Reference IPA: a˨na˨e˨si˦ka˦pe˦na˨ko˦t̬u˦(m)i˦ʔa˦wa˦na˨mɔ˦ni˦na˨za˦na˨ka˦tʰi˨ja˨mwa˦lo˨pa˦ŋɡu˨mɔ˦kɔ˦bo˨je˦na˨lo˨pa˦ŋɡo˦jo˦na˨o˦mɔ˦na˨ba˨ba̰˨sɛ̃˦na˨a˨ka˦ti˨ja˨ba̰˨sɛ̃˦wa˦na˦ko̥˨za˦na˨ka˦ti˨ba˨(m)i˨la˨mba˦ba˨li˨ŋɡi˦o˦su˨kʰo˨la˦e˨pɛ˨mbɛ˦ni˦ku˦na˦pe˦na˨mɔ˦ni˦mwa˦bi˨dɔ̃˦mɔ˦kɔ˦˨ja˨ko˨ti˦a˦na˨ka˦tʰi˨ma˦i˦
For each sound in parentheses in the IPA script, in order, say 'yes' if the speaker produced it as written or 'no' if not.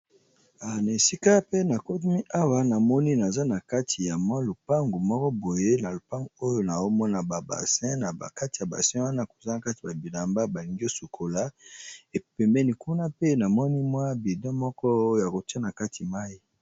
yes, no

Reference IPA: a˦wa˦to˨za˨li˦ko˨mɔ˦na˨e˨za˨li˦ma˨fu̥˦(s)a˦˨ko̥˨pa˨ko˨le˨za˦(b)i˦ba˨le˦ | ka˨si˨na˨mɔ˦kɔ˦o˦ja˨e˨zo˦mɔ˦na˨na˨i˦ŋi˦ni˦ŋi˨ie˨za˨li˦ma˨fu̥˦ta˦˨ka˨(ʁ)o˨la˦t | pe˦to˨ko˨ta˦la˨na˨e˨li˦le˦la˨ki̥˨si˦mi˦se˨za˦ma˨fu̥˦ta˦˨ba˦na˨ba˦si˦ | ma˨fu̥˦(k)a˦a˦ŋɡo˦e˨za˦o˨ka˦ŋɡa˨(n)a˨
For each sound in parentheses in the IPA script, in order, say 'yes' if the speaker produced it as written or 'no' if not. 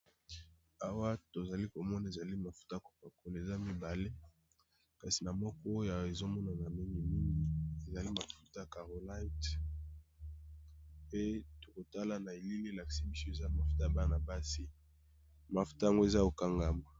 no, no, yes, no, no

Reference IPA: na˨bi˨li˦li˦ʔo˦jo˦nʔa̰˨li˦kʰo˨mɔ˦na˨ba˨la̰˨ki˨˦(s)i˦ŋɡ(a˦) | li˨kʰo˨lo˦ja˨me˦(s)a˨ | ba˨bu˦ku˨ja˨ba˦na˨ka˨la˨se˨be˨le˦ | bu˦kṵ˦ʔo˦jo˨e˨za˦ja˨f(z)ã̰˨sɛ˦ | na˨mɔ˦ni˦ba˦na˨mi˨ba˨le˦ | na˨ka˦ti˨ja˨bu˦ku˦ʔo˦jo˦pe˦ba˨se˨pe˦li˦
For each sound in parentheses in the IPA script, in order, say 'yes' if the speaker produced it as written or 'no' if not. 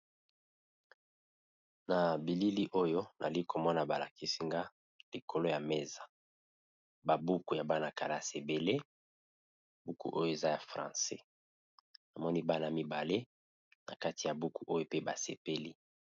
yes, yes, no, no

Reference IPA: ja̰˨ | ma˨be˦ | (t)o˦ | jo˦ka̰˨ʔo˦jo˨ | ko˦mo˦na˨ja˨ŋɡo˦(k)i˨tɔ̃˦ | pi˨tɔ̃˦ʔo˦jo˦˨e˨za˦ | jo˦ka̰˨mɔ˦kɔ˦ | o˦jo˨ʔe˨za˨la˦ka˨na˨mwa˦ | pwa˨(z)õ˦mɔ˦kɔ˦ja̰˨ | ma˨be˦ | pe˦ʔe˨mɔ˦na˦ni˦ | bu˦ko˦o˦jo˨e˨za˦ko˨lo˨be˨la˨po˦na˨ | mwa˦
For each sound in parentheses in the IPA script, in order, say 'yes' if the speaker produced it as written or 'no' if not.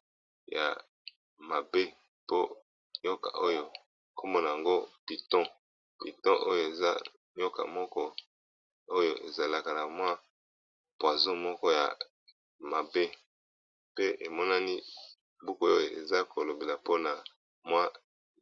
no, no, yes

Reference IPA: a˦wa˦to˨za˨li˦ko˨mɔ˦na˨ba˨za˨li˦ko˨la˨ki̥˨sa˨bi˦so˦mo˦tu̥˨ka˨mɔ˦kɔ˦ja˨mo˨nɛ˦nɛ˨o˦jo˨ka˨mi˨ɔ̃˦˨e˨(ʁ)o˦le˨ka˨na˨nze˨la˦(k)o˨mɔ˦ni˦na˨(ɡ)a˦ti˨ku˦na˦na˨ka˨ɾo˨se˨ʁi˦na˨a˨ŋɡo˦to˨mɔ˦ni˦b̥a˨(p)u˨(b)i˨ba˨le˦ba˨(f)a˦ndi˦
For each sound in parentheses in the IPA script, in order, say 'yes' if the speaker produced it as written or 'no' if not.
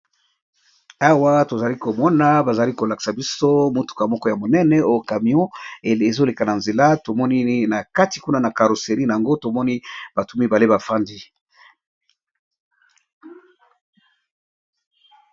no, no, no, no, no, yes

